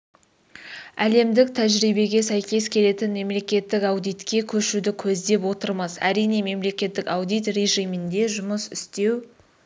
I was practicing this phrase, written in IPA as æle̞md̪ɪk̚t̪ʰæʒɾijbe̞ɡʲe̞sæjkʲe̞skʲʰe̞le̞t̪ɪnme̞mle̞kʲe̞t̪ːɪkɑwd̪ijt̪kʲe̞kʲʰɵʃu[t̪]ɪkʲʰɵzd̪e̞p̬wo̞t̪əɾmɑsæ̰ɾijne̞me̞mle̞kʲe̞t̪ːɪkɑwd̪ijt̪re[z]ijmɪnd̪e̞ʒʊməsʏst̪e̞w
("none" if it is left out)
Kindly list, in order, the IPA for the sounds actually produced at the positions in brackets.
d̪, ʒ

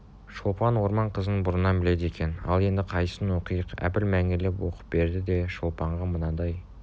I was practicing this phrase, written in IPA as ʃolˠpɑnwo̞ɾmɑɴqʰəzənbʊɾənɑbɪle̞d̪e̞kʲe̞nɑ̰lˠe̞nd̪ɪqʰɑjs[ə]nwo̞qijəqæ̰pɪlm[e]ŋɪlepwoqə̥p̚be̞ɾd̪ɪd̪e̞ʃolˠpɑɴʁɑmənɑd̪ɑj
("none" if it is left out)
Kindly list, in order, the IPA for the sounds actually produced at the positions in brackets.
ə, æ

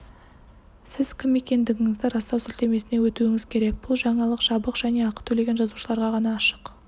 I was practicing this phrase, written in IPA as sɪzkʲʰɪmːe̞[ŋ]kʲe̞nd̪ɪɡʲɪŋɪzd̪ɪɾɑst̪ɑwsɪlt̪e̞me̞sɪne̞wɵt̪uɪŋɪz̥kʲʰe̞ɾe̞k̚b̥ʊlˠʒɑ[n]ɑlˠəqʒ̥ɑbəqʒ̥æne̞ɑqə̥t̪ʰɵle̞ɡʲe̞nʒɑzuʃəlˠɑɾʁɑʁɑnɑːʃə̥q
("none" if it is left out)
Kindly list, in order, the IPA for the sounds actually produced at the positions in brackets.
none, ɴ

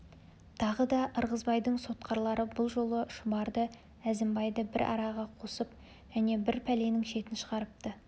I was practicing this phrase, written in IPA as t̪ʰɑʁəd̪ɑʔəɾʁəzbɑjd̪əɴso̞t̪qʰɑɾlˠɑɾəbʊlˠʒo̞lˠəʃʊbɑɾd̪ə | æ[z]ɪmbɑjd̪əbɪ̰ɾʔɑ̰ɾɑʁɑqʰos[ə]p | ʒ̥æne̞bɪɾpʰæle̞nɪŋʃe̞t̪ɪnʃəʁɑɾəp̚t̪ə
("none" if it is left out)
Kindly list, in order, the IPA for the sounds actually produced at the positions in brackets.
z, ə

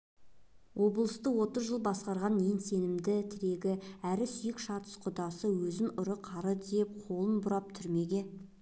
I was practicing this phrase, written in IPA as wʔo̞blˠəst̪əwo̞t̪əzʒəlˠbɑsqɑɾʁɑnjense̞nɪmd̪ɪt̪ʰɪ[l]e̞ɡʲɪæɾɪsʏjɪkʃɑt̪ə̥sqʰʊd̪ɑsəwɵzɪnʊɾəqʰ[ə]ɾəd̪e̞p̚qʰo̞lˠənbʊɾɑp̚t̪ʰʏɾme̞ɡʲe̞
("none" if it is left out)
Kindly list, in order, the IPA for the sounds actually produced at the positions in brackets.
ɾ, ɑ

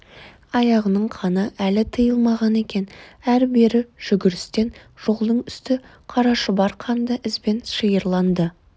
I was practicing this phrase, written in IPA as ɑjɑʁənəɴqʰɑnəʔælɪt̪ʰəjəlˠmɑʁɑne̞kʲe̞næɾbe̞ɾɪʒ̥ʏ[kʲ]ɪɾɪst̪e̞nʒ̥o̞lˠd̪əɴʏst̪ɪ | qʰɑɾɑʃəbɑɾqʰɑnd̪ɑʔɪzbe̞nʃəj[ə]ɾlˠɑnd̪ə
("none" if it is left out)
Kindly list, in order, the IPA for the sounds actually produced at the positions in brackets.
ɡʲ, ə

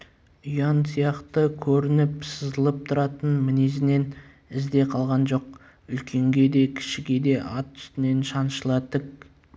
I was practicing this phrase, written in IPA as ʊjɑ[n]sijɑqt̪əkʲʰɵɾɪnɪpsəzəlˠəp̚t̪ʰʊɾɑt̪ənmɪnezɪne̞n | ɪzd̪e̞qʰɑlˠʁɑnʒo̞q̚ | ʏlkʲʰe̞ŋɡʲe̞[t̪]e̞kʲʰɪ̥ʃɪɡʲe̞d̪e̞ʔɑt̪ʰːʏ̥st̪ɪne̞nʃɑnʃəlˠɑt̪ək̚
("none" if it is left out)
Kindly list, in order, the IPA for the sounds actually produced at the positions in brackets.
n, d̪

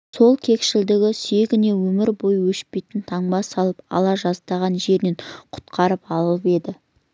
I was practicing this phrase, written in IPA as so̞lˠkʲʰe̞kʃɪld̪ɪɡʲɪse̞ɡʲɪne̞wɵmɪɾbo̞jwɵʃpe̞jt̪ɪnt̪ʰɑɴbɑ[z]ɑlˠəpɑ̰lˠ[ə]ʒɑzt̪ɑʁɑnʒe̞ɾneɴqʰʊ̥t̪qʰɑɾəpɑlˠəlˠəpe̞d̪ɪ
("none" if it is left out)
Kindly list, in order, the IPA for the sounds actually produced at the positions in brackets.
s, ɑ

